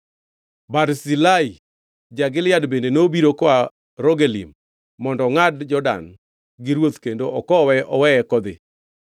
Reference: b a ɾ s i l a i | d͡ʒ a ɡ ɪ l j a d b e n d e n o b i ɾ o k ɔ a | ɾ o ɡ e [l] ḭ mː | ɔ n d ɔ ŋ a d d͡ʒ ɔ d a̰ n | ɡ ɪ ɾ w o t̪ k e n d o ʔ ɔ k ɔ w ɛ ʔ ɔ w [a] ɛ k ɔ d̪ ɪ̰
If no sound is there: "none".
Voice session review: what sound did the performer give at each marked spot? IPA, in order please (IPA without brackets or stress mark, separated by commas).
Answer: l, ɛ